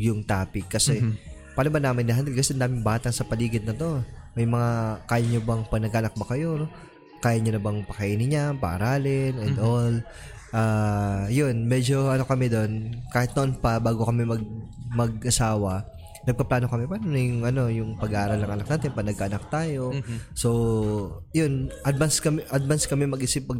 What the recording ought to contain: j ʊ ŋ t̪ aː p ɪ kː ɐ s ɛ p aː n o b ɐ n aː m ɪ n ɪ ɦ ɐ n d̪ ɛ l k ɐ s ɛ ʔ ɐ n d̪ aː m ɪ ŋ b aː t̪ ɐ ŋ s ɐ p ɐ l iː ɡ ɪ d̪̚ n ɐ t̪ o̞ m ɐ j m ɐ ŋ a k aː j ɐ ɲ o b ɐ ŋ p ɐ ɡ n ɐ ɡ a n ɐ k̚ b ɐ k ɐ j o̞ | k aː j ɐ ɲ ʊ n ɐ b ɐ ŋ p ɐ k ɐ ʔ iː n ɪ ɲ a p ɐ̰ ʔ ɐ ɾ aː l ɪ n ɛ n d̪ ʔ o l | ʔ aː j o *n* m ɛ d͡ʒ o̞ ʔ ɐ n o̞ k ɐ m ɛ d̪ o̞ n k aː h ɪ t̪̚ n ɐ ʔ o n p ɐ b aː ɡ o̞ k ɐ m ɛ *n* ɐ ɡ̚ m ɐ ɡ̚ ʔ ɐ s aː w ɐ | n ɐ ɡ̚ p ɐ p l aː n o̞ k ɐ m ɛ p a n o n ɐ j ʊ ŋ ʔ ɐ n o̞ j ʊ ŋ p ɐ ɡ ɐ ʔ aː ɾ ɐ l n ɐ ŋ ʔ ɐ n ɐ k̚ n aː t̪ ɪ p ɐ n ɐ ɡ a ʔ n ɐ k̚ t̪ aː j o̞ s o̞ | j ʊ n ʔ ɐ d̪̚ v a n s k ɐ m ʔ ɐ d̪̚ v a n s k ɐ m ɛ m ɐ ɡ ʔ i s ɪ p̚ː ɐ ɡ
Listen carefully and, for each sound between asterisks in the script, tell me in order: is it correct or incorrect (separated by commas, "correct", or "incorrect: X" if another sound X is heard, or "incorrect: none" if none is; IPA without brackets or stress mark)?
correct, incorrect: m